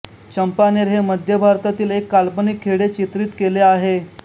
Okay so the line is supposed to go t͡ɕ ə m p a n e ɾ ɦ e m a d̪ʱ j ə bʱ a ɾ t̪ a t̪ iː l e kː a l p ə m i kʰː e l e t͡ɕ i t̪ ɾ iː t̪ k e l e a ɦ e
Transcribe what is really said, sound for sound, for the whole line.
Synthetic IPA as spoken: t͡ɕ ə m p a n e ɾ ɦ e m ə d̪ʱ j ə bʱ a ɾ t̪ a t̪ iː l e kː a l p ə n i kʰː e ɽ e t͡ɕ i t̪ ɾ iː t̪ k e l e a ɦ e